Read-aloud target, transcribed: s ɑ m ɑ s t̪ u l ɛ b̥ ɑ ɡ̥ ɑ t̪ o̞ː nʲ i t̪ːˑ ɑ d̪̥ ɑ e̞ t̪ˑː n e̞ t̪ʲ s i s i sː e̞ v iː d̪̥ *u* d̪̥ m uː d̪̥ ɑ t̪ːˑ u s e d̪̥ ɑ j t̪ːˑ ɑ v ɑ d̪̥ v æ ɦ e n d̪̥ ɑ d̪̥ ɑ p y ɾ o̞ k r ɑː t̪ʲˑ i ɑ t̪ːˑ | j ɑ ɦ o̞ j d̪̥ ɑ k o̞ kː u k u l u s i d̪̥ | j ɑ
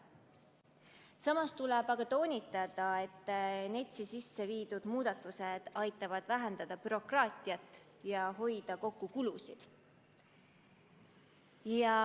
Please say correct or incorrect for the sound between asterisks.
correct